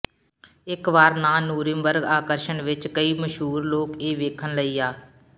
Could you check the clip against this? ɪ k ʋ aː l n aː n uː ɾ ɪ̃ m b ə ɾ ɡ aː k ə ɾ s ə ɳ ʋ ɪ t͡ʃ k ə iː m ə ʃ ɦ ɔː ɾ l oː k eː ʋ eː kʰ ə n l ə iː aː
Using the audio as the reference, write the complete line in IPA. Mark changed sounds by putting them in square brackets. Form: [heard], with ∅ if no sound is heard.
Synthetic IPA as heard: ɪ k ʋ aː [ɾ] n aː n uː ɾ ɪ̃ m b ə ɾ ɡ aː k ə ɾ [ʃ] ə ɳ ʋ ɪ t͡ʃ k ə iː m ə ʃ ɦ [uː] ɾ l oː k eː ʋ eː kʰ ə n l ə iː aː